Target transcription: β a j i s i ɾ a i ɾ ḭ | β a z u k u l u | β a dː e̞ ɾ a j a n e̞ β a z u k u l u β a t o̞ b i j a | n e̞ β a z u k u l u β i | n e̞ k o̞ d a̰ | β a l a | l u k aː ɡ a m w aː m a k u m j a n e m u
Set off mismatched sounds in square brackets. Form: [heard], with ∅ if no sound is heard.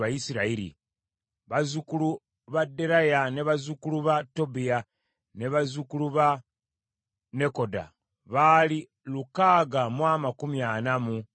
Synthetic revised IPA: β a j i s i ɾ a i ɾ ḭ | β a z u k u l u | β a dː e̞ ɾ a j a n e̞ β a z u k u l u β a t o̞ b i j a | n e̞ β a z u k u l u β [a] | n e̞ k o̞ d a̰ | β a l [i] | l u k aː ɡ a m w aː m a k u m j a n [a] m u